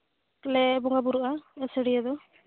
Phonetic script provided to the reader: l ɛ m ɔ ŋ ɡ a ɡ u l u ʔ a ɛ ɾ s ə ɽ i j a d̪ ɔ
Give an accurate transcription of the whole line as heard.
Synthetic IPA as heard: l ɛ b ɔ ŋ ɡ a b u ɾ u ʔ a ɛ s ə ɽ i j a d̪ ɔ